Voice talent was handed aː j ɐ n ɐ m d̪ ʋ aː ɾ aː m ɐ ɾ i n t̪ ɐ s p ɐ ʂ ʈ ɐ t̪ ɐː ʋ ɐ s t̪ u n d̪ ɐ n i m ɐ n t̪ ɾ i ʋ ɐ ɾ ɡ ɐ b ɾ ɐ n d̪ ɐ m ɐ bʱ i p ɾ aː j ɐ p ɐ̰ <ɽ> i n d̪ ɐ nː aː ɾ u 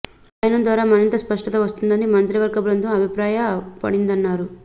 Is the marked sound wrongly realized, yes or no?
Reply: no